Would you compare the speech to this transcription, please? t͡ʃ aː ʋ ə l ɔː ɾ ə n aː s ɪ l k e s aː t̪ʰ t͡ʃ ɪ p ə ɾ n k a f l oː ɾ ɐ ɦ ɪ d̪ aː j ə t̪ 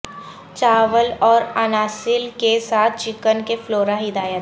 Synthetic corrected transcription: t͡ʃ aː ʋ ə l ɔː ɾ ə n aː s ɪ l k e s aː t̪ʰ t͡ʃ ɪ k ə n k e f l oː ɾ a ɦ ɪ d̪ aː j ə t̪